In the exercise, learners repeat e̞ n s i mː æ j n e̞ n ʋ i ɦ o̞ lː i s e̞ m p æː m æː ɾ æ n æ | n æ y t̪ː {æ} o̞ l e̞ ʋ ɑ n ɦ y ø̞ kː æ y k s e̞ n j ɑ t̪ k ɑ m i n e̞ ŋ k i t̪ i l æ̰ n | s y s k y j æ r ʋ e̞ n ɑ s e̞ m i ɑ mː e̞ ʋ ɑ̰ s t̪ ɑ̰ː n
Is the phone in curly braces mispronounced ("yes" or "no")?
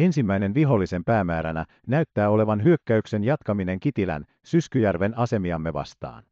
yes